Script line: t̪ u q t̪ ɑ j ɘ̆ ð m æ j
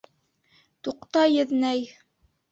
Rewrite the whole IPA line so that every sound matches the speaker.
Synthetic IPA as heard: t̪ u q t̪ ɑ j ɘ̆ ð n æ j